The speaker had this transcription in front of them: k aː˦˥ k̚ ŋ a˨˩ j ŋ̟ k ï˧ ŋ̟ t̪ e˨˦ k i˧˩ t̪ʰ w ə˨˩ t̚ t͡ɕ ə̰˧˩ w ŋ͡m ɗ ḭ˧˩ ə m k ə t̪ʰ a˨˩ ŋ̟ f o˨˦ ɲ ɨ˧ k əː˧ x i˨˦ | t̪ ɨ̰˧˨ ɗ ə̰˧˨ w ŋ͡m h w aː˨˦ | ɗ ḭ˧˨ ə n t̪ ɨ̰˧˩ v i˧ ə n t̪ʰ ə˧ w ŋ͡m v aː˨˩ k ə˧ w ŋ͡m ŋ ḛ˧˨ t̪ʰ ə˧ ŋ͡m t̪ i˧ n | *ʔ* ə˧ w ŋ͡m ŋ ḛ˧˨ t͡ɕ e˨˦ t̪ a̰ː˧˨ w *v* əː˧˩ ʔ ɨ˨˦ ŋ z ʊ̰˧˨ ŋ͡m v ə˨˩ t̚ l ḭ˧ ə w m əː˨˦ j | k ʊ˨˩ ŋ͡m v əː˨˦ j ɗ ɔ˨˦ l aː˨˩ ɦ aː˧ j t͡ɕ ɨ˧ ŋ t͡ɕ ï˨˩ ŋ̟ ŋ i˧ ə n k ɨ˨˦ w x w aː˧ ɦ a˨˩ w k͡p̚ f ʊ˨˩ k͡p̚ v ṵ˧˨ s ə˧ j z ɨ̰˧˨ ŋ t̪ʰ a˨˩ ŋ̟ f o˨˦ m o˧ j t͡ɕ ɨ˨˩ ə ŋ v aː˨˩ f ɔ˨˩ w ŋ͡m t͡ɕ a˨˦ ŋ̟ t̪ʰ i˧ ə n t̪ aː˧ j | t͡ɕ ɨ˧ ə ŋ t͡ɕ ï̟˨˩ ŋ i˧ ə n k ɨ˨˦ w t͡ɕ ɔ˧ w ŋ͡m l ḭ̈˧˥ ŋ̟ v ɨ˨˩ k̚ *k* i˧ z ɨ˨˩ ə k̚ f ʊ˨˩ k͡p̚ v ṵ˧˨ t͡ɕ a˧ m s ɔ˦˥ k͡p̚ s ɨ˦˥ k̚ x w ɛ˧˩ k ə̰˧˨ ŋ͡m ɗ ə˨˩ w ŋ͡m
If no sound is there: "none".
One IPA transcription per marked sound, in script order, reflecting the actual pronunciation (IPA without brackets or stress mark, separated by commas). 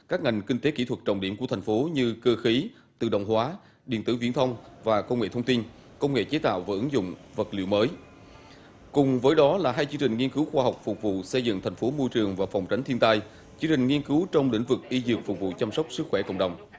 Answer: k, v, ʔ